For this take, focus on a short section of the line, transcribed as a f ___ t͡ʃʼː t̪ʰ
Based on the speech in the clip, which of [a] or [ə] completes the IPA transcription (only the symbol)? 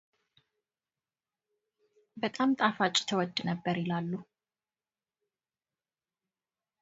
a